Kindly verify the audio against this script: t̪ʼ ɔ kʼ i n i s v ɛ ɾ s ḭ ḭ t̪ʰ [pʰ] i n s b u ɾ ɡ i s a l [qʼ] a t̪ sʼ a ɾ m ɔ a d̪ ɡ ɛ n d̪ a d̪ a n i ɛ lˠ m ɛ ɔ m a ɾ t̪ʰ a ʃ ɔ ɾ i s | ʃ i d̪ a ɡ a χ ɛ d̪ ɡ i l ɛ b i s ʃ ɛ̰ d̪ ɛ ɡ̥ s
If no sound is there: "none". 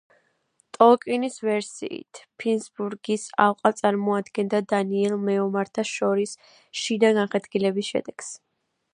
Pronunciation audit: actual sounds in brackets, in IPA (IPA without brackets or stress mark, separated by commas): pʰ, qʼ